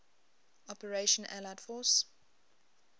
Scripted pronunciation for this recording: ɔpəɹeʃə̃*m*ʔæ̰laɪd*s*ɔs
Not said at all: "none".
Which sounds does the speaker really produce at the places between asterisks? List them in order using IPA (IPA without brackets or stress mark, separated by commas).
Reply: n, f